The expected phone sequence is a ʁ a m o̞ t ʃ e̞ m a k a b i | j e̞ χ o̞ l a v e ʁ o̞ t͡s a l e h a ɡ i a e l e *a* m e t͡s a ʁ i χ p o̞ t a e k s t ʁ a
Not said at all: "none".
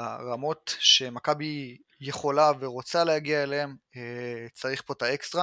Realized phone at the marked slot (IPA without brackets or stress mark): e